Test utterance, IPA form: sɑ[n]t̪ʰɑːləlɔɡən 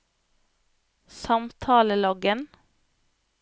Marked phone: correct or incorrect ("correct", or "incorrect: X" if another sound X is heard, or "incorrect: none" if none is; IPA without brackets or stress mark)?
incorrect: m